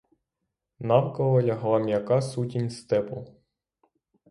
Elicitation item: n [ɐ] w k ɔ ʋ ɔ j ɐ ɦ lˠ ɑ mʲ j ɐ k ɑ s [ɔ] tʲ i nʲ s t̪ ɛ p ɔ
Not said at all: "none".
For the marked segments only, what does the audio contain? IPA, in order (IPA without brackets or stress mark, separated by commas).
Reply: ɑ, u